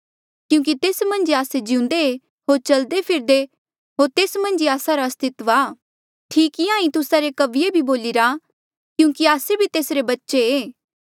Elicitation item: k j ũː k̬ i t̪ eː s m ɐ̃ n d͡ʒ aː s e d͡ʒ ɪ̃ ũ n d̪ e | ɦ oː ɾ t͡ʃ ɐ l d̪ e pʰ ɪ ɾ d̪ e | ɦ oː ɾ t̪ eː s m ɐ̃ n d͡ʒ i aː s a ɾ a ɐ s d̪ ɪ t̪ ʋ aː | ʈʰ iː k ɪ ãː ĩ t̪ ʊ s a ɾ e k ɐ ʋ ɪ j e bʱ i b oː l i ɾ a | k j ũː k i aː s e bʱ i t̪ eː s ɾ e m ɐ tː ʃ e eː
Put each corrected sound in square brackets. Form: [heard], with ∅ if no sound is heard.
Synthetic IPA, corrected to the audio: k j ũː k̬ i t̪ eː s m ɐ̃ n d͡ʒ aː s e d͡ʒ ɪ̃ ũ n d̪ e | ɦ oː ɾ t͡ʃ ɐ l d̪ e pʰ ɪ ɾ d̪ e | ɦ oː ɾ t̪ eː s m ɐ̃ n d͡ʒ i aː s a ɾ a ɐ s [t̪] ɪ t̪ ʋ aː | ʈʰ iː k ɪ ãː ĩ t̪ ʊ s a ɾ e k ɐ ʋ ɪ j e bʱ i b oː l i ɾ a | k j ũː k i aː s e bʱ i t̪ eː s ɾ e [b] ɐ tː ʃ e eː